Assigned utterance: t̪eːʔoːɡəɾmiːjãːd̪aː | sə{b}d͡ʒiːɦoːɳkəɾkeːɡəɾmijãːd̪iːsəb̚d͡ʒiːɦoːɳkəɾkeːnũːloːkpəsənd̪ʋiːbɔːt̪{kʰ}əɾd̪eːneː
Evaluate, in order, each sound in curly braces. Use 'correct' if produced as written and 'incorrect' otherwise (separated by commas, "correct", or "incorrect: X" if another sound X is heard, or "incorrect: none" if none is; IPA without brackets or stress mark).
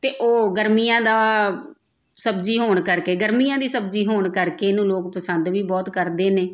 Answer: correct, incorrect: k